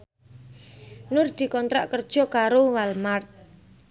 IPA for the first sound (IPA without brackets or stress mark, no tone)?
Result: n